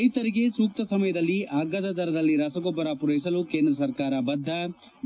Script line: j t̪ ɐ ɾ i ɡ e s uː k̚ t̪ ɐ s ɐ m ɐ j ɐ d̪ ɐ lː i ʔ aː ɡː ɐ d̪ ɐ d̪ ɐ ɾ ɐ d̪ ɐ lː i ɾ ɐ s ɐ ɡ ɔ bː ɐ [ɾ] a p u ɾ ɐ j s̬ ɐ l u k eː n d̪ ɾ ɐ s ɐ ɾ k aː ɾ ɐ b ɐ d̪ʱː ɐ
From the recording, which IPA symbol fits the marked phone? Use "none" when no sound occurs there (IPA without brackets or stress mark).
ɾ